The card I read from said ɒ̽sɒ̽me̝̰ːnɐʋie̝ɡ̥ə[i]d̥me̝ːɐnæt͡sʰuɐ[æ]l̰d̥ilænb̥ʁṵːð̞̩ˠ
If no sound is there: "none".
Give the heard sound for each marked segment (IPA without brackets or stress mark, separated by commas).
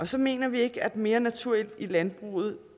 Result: æ, e